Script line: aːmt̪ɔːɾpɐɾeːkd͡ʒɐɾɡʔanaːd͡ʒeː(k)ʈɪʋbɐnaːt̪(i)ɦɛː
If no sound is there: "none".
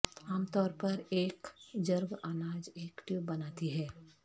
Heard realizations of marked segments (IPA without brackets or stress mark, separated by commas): k, i